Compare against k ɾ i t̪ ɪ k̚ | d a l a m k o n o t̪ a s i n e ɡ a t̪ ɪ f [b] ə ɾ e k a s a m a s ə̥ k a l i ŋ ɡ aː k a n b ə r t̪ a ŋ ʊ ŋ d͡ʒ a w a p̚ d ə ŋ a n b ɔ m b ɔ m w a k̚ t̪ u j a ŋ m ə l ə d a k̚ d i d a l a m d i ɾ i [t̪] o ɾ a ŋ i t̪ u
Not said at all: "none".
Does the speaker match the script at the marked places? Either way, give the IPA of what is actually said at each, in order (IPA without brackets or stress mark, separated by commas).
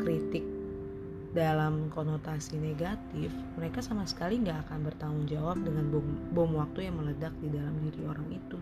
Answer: m, none